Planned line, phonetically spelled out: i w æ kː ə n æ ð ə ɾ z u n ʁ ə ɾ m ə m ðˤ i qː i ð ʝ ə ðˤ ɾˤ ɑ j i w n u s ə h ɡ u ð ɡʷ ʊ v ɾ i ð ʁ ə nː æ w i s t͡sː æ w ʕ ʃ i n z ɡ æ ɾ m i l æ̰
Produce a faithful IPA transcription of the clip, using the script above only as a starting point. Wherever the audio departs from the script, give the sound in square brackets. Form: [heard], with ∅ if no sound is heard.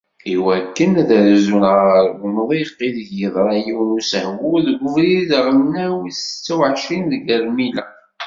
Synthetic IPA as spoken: i w æ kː ə n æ ð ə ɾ z u n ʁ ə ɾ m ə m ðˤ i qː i ð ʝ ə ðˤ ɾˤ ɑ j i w n u s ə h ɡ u ð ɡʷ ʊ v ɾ i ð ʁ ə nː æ w i s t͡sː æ w ʕ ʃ i n [ð] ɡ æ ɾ m i l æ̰

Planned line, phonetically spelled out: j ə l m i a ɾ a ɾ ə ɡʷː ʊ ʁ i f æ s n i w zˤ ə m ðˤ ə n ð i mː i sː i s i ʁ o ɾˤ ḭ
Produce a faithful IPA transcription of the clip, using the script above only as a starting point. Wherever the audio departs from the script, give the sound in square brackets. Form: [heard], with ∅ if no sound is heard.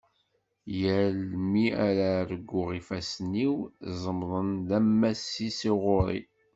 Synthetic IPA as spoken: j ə l m i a ɾ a ɾ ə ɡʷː ʊ ʁ i f æ s n i w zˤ ə m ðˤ ə n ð [æ] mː [æ] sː i s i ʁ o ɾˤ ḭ

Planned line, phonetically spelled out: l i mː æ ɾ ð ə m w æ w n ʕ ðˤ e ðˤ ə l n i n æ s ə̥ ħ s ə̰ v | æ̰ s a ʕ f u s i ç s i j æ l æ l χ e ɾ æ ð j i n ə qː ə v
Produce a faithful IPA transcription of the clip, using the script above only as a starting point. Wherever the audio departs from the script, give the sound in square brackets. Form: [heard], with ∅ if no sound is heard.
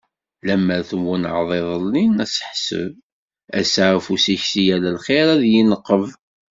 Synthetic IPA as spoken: l [æ] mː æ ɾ [θ] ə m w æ [∅] n ʕ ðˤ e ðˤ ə l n i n æ s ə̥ ħ s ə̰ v | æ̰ s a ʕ f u s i ç s i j æ l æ l χ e ɾ æ ð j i n ə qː ə v

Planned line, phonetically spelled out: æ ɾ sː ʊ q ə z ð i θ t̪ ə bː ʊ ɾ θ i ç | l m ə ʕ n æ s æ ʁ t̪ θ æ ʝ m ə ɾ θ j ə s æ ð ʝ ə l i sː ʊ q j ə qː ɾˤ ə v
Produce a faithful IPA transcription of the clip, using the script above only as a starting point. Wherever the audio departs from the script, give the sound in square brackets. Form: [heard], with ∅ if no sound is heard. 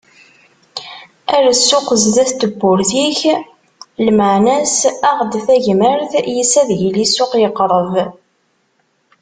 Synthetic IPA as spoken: æ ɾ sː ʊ q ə z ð [æ] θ t̪ ə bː ʊ ɾ θ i ç | l m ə ʕ n æ s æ ʁ [d̪] θ æ ʝ m ə ɾ θ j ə s æ ð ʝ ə l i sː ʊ q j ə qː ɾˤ ə v

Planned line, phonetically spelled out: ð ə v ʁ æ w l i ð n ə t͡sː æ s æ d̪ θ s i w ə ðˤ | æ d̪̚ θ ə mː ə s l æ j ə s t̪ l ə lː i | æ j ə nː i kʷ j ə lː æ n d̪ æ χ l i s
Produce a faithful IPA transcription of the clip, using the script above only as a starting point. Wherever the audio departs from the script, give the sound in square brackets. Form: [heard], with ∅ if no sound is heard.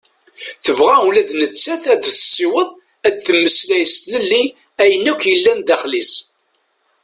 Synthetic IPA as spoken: [θ] ə v ʁ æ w l [æ] ð n ə t͡sː æ [θ] æ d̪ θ s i w ə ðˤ | æ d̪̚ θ ə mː ə s l æ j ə s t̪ l ə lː i | æ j ə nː [æ] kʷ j ə lː æ n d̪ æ χ l i s

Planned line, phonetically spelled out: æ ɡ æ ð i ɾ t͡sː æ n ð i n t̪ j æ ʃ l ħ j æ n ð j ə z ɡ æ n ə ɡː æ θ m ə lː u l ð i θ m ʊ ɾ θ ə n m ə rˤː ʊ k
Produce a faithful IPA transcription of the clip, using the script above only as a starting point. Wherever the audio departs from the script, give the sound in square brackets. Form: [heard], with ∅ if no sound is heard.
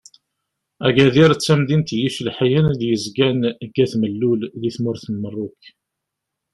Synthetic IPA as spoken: æ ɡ æ ð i ɾ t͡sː æ [m] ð i n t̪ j [i] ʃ l ħ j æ n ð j ə z ɡ æ n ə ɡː æ θ m ə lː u l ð i θ m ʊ ɾ θ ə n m ə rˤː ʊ k

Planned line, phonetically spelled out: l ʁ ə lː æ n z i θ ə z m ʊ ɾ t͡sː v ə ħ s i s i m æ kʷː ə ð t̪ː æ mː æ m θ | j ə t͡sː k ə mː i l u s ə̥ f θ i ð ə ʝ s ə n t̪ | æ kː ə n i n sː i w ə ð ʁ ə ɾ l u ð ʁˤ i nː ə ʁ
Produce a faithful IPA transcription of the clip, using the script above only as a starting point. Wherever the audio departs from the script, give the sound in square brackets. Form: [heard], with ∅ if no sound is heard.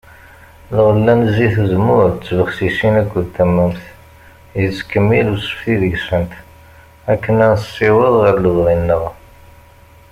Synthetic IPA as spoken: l ʁ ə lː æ n z i θ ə z m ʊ ɾ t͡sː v ə [χ] s i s i [n] æ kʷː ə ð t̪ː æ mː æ m θ | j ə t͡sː k ə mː i l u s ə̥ f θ i ð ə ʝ s ə n t̪ | æ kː ə n [æ] n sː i w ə ð ʁ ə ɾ l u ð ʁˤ i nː ə ʁ

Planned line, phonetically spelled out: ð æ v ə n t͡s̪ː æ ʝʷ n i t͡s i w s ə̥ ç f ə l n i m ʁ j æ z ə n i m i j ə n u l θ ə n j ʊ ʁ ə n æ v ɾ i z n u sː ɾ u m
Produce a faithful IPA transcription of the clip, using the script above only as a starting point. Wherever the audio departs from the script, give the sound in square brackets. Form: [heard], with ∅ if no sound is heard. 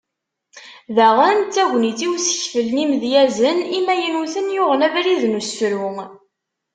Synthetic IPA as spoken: ð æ [ʁ] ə n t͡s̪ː æ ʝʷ n i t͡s i w s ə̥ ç f ə l n i m [ð] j æ z ə n i m [æ] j ə n u [∅] θ ə n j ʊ ʁ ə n æ v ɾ i [ð] n u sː ɾ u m

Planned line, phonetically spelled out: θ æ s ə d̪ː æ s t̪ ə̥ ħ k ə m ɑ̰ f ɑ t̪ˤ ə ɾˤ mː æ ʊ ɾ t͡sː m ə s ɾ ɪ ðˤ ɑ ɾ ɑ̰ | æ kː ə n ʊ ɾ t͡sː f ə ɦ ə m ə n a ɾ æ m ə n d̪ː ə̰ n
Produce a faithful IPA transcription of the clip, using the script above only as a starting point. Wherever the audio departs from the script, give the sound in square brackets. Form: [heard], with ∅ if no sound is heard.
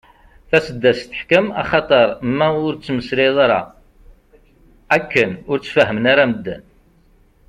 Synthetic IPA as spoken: θ æ s ə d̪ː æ s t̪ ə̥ ħ k ə m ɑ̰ [χ] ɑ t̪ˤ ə ɾˤ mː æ ʊ ɾ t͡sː m ə s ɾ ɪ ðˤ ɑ ɾ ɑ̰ | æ kː ə n ʊ ɾ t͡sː f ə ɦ ə m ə n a ɾ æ m ə [∅] d̪ː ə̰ n

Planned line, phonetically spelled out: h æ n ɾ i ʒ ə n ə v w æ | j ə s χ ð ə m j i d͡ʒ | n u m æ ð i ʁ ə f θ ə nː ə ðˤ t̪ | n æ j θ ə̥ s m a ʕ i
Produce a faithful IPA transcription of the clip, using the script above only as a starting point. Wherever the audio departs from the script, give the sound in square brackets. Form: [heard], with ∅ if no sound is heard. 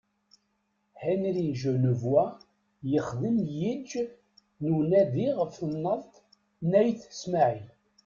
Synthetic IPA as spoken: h æ n ɾ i ʒ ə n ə v w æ | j ə [∅] χ ð ə m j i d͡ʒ | n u [n] æ ð i ʁ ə f θ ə nː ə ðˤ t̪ | n æ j θ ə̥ s m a ʕ i

